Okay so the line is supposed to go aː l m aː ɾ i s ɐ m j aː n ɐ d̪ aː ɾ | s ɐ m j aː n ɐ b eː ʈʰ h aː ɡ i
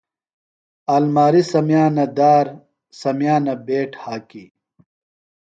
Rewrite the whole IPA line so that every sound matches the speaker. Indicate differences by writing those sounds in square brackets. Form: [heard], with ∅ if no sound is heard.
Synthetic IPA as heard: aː l m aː ɾ i s ɐ m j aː n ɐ d̪ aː ɾ | s ɐ m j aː n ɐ b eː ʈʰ h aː [k] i